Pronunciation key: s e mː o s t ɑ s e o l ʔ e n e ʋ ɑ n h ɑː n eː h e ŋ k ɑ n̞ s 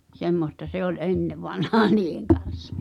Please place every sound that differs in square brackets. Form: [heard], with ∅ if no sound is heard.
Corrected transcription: s e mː o s t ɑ s e o l ʔ e [nː] e ʋ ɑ n h ɑː n [iː] h e ŋ k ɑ n̞ s